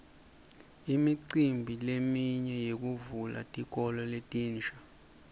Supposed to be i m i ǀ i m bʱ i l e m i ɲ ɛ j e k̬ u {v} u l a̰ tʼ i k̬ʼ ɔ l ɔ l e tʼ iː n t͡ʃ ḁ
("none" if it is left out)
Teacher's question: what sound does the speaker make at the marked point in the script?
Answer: v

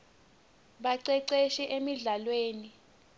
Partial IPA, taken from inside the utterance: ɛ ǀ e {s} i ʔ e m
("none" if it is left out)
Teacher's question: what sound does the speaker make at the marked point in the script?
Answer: ʃ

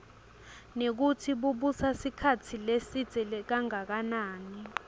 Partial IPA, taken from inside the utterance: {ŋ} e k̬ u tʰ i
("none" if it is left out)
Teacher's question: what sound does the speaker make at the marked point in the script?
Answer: n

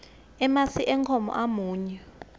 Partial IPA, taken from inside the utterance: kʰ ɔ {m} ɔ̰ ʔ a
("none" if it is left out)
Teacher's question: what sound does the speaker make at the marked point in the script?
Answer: m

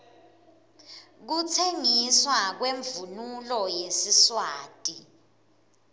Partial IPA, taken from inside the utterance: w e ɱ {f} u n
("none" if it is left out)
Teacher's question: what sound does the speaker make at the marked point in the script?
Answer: v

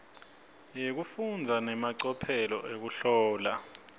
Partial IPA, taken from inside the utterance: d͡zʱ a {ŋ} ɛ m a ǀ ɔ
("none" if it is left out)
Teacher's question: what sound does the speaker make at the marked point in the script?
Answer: n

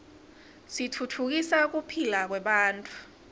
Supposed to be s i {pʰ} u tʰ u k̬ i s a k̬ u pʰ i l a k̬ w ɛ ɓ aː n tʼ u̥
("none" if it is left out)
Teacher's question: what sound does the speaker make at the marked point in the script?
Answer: tʰ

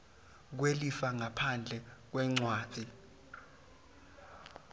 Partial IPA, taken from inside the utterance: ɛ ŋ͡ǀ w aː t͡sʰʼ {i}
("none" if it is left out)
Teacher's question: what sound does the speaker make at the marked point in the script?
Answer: i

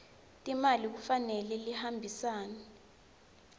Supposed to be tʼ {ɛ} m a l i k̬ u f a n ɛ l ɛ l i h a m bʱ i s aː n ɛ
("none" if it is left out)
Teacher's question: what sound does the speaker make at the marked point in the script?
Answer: i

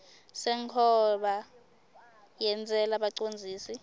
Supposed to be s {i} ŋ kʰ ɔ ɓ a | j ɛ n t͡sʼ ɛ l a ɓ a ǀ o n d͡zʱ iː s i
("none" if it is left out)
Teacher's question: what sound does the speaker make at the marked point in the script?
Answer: ɛ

